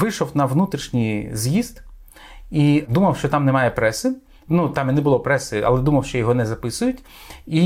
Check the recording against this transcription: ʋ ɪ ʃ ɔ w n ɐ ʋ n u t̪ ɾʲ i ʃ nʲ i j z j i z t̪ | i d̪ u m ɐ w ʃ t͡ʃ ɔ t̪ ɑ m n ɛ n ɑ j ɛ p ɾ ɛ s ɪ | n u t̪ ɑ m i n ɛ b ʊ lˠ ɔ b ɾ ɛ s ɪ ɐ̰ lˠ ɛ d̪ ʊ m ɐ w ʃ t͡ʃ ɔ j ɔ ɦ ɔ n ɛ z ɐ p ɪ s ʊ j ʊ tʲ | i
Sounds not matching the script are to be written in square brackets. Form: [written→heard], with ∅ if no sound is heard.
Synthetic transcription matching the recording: ʋ ɪ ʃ ɔ w n ɐ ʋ n u t̪ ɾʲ i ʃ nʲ i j z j i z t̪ | i d̪ u m ɐ w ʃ t͡ʃ ɔ t̪ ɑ m n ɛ [n→m] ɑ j ɛ p ɾ ɛ s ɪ | n u t̪ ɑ m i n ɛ b ʊ lˠ ɔ [b→p] ɾ ɛ s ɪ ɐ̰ lˠ ɛ d̪ [ʊ→u] m ɐ w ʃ t͡ʃ ɔ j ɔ ɦ ɔ n ɛ z ɐ p ɪ s ʊ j ʊ tʲ | i